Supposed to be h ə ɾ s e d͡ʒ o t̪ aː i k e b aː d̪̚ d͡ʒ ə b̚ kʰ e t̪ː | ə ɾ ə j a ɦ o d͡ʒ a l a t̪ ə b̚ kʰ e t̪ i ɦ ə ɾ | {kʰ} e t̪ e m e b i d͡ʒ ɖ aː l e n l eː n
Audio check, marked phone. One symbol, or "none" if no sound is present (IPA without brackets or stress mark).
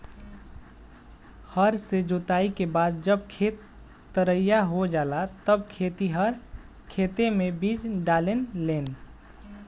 kʰ